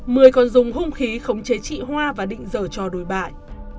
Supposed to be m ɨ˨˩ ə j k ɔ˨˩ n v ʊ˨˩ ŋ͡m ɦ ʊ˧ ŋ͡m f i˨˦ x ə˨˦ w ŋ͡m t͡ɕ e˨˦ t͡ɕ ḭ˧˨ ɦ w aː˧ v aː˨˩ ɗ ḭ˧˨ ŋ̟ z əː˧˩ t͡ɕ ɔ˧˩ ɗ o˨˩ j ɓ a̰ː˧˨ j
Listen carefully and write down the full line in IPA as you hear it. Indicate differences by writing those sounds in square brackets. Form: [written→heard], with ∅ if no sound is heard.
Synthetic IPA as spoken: m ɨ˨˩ ə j k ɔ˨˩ n [v→z] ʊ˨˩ ŋ͡m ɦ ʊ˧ ŋ͡m [f→x] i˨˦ x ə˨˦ w ŋ͡m t͡ɕ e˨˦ t͡ɕ ḭ˧˨ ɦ w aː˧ v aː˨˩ ɗ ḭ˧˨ ŋ̟ z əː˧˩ t͡ɕ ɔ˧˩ ɗ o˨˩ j ɓ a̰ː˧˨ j